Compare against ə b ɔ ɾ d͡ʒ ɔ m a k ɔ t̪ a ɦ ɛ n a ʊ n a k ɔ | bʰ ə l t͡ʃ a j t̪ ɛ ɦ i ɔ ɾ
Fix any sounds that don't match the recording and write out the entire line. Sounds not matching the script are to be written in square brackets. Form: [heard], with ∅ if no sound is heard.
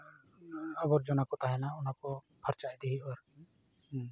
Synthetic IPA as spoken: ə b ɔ ɾ d͡ʒ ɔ [n] a k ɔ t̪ a ɦ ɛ n a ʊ n a k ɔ | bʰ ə [ɾ] t͡ʃ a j [d̪] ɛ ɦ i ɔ ɾ

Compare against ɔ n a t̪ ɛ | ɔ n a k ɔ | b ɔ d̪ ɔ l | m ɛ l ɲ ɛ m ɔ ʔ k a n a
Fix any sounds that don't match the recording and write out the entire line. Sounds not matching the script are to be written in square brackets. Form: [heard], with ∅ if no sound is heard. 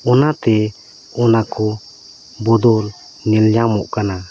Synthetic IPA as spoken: ɔ n a t̪ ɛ | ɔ n a k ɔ | b ɔ d̪ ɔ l | [n] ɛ l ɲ [a] m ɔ ʔ k a n a

